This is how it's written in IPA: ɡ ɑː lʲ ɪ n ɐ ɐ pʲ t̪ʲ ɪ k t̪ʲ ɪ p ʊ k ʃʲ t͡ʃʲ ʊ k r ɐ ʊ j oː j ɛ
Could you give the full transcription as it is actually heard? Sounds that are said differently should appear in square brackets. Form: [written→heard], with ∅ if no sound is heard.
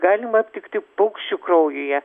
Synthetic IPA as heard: ɡ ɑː lʲ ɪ [n→m] ɐ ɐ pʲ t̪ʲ ɪ k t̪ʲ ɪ p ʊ k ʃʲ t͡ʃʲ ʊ k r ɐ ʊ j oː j ɛ